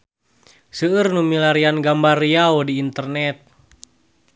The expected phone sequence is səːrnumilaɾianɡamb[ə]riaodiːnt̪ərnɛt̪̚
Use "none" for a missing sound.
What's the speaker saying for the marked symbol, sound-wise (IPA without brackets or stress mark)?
a